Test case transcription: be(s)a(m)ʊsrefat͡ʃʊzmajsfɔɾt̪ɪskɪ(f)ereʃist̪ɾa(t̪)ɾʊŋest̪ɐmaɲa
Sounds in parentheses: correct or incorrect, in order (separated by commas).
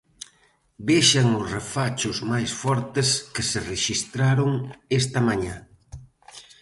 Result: incorrect, incorrect, incorrect, incorrect